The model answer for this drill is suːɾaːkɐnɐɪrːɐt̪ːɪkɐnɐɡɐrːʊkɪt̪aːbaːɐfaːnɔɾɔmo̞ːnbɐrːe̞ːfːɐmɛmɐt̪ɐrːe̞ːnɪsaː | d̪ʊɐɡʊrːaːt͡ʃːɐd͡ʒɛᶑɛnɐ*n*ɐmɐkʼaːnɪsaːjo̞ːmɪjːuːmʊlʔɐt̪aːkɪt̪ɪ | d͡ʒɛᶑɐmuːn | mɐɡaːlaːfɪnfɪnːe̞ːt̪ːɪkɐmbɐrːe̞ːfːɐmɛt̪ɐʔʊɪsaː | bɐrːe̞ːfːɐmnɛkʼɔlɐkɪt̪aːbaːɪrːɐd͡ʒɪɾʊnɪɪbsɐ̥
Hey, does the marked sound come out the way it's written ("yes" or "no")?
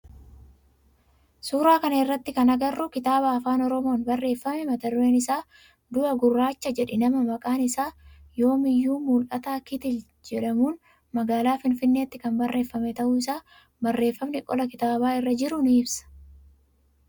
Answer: no